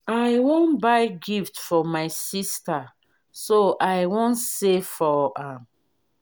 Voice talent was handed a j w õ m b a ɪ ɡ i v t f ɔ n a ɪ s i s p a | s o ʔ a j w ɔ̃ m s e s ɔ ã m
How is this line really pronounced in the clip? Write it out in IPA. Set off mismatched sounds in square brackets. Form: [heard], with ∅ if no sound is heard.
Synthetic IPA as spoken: a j w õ [n] b a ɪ ɡ i [f] t f ɔ [m] a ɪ s i s [t] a | s o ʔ a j w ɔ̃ [n] s e [f] ɔ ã m